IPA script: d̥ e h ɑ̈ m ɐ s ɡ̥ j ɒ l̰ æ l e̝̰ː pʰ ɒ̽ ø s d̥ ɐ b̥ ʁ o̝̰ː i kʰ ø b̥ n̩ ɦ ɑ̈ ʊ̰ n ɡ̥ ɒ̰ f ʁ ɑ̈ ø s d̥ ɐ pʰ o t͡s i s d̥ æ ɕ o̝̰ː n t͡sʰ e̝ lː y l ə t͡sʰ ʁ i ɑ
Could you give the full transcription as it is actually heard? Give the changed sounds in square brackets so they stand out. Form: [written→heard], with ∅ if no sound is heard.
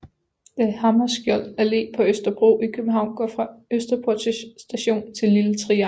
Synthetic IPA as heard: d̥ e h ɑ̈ m ɐ s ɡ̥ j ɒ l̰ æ l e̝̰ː pʰ ɒ̽ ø s d̥ ɐ b̥ ʁ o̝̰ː i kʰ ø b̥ [n̩→m̩] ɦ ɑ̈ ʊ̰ n ɡ̥ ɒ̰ f ʁ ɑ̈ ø s d̥ ɐ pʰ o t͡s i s d̥ æ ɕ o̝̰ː n t͡sʰ e̝ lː [y→i] l ə t͡sʰ ʁ i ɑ